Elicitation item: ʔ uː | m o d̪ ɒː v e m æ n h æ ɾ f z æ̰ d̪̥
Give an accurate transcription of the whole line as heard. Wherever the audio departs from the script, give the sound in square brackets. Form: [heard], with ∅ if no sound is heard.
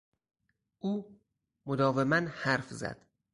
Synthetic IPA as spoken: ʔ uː | m o d̪ ɒː v e m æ n h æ ɾ f z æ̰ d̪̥

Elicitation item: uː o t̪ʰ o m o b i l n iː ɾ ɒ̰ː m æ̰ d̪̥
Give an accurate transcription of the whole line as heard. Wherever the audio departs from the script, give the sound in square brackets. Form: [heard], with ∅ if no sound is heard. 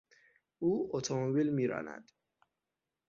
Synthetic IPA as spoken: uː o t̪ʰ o m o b i l [m] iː ɾ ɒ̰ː [n] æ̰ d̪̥

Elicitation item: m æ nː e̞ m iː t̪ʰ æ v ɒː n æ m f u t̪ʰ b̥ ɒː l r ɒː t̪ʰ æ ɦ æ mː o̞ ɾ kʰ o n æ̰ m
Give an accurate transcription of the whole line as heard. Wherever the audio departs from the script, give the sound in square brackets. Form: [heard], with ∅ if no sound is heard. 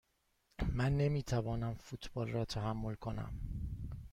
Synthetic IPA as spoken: m æ nː e̞ m iː t̪ʰ æ v ɒː n æ m f u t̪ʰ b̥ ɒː l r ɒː t̪ʰ æ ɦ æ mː o̞ [l] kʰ o n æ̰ m

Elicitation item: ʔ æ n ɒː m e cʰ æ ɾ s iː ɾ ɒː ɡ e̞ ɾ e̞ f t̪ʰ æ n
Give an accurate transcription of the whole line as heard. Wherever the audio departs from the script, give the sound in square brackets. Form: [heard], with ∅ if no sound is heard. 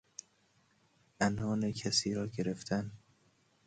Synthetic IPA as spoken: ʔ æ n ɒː [n] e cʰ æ [∅] s iː ɾ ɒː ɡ e̞ ɾ e̞ f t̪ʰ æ n

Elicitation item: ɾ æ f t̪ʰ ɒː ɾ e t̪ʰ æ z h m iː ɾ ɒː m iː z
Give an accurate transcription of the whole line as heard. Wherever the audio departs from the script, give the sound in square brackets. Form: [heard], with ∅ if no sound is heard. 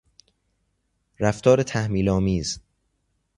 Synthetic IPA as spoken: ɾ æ f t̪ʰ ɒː ɾ e t̪ʰ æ [∅] h m iː [l] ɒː m iː z

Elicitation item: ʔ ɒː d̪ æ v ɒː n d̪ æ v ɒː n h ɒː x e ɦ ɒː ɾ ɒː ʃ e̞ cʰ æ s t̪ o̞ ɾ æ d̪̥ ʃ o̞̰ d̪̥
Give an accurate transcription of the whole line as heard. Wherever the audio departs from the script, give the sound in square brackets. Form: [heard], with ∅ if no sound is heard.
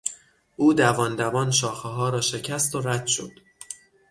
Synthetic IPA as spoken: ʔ [uː] d̪ æ v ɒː n d̪ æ v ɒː n [ʃ] ɒː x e ɦ ɒː ɾ ɒː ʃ e̞ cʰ æ s t̪ o̞ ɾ æ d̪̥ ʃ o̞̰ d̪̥

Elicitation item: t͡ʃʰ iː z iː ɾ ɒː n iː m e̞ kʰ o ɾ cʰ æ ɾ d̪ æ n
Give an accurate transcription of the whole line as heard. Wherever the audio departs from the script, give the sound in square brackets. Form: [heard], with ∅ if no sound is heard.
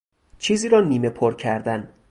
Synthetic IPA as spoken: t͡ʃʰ iː z iː ɾ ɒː n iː m e̞ [pʰ] o ɾ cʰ æ ɾ d̪ æ n

